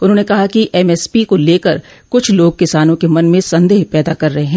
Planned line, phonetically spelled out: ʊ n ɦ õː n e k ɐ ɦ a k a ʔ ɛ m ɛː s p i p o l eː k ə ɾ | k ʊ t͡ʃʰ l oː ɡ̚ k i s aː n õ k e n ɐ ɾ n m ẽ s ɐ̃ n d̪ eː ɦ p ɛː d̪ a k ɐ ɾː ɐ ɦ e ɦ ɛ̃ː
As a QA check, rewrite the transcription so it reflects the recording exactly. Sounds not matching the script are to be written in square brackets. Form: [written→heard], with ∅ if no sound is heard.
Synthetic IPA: ʊ n ɦ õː n e k ɐ ɦ a k [a→i] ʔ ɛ m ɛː s p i [p→k] o l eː k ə ɾ | k ʊ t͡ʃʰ l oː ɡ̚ k [i→ɪ] s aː n õ k e [n→m] ɐ [ɾ→∅] n m ẽ s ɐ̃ n d̪ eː ɦ p ɛː d̪ a k ɐ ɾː ɐ ɦ e ɦ ɛ̃ː

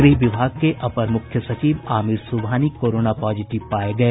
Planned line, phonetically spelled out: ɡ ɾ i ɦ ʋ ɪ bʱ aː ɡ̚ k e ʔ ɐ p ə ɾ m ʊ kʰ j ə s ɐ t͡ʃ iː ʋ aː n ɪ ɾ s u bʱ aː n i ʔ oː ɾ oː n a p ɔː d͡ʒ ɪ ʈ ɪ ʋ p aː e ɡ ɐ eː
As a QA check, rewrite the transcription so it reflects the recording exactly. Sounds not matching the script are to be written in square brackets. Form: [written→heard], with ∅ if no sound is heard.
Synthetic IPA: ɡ ɾ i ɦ ʋ ɪ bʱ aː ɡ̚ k e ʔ ɐ p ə ɾ m ʊ kʰ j ə s ɐ t͡ʃ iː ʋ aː [n→m] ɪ ɾ s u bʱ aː n i [ʔ→k] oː ɾ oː n a p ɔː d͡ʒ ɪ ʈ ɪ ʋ p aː e ɡ ɐ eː

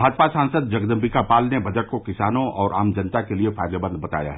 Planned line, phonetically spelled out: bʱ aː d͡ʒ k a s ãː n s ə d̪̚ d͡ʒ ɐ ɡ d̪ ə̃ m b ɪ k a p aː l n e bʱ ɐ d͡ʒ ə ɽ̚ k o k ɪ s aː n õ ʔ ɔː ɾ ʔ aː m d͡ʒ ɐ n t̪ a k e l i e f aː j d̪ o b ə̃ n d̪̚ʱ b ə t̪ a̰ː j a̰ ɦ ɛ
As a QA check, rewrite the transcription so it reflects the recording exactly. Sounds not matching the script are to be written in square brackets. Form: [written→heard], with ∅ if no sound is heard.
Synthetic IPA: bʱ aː d͡ʒ [k→p] a s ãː n s ə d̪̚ d͡ʒ ɐ ɡ d̪ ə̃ m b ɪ k a p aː l n e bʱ ɐ d͡ʒ ə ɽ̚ k o k ɪ s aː n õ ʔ ɔː ɾ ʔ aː m d͡ʒ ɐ n t̪ a k e l i e f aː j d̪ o b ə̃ n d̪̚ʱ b [ə→ɐ] t̪ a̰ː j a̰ ɦ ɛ

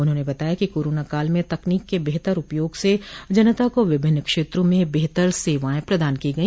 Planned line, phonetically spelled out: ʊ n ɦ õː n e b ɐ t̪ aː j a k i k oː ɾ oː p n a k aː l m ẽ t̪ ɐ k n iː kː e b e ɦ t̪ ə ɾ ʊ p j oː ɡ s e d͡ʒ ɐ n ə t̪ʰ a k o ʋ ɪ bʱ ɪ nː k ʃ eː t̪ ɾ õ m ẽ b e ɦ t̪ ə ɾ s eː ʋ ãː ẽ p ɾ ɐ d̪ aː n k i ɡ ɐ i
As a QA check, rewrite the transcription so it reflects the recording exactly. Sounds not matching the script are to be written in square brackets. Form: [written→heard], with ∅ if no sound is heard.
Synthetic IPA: ʊ n ɦ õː n e b ɐ t̪ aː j a k i k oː ɾ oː [p→∅] n a k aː l m ẽ t̪ ɐ k n iː kː e b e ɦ t̪ ə ɾ ʊ p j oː ɡ s e d͡ʒ ɐ n ə [t̪ʰ→t̪] a k o ʋ ɪ bʱ ɪ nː k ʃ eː t̪ ɾ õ m ẽ b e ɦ t̪ ə ɾ s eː ʋ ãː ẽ p ɾ ɐ d̪ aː n k i ɡ ɐ i

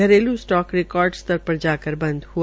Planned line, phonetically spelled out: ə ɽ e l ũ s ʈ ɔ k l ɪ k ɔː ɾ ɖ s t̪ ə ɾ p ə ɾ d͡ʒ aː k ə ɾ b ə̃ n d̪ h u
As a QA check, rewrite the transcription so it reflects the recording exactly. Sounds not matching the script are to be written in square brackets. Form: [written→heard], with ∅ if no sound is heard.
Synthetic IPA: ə [ɽ→ɾ] e l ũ s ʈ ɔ k [l→ɾ] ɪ k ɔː ɾ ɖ s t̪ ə ɾ p ə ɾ d͡ʒ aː k ə ɾ b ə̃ n d̪ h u

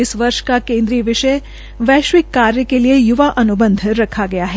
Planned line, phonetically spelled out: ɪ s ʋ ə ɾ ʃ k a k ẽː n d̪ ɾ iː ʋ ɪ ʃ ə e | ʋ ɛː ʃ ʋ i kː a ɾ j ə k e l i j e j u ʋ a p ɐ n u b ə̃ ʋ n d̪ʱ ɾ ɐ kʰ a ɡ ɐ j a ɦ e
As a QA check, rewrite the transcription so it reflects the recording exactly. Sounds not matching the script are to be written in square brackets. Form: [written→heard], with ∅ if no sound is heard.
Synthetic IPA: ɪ s ʋ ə ɾ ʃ k a k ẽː n d̪ ɾ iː ʋ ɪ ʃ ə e | ʋ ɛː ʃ ʋ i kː a ɾ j ə k e l i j e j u ʋ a [p→ʔ] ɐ n u b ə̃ [ʋ→∅] n d̪ʱ ɾ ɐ kʰ a ɡ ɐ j a ɦ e

